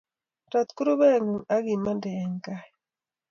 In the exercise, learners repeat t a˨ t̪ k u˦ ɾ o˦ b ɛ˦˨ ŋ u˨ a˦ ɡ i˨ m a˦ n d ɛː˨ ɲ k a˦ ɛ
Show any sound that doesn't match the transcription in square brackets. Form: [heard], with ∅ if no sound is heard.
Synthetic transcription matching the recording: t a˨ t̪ k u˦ ɾ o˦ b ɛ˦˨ ŋ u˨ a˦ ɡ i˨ m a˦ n d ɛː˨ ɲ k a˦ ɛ